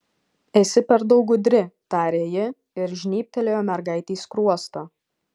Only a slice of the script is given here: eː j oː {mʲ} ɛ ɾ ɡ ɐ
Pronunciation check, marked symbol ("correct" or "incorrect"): correct